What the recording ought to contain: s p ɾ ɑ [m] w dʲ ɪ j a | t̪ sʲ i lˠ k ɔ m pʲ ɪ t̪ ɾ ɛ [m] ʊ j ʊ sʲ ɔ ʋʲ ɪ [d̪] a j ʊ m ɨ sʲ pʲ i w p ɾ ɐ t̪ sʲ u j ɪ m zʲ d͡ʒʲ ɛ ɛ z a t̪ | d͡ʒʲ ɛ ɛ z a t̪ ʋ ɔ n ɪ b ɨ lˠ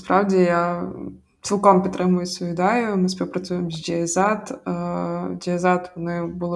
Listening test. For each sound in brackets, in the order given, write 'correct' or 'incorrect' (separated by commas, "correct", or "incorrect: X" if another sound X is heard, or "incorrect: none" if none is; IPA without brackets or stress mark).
incorrect: none, correct, correct